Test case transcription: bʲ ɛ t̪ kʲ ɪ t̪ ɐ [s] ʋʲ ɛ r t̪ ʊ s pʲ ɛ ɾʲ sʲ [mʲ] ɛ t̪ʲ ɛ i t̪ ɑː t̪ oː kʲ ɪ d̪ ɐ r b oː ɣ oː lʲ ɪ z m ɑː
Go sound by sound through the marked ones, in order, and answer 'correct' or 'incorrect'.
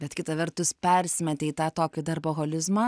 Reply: incorrect: none, correct

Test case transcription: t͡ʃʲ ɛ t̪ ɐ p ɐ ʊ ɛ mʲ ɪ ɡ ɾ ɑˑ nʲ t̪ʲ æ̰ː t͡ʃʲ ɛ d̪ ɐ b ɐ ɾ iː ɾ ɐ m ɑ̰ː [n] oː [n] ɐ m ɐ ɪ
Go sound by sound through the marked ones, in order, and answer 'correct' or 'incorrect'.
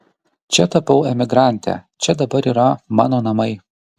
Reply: correct, correct

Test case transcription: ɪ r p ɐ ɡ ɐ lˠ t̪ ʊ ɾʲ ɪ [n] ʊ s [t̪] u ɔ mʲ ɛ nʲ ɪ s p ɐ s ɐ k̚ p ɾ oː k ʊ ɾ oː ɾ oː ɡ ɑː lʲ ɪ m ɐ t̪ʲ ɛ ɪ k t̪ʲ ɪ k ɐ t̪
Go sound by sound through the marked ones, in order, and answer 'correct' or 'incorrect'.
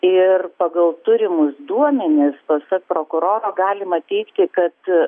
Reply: incorrect: m, incorrect: d̪

